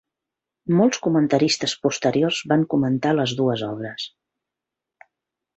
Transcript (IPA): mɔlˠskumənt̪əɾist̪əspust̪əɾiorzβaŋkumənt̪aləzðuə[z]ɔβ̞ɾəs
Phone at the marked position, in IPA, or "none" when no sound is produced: z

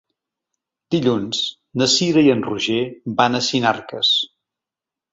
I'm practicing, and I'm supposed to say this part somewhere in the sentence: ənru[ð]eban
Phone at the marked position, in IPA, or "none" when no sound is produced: ʒ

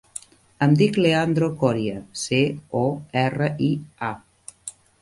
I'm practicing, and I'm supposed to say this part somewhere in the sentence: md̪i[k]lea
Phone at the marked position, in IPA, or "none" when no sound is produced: k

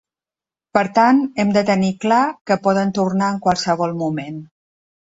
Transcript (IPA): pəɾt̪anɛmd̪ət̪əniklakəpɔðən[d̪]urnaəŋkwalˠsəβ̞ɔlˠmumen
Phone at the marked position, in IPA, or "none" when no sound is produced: t̪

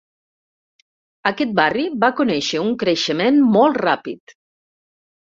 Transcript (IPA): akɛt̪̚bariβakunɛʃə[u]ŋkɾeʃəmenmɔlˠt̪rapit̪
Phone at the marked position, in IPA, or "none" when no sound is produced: u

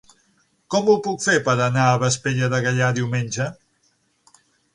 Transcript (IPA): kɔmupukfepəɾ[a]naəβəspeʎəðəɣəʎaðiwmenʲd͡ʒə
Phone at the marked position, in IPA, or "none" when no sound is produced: ə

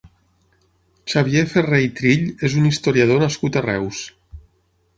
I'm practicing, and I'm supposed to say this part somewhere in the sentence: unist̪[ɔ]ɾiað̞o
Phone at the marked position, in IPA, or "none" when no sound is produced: o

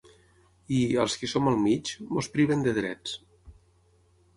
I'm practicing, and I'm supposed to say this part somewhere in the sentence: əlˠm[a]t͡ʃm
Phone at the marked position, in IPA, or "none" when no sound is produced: i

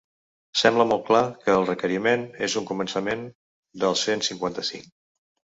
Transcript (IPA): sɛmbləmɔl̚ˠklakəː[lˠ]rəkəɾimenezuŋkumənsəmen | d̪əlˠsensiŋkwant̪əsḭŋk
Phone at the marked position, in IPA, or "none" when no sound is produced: lˠ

